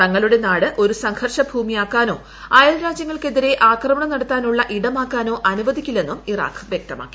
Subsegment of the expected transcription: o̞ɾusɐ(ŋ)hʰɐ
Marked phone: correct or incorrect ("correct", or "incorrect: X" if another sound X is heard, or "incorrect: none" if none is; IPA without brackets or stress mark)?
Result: correct